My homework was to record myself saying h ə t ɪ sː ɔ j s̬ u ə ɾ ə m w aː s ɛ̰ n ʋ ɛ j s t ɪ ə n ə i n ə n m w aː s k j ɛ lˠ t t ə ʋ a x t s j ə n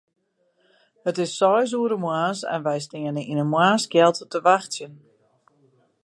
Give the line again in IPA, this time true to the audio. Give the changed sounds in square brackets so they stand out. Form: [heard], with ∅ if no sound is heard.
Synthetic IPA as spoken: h ə t ɪ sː ɔ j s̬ u ə ɾ ə m w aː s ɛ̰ n ʋ ɛ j s t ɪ ə n ə i n ə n m w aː s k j ɛ lˠ t t ə ʋ a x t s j ə n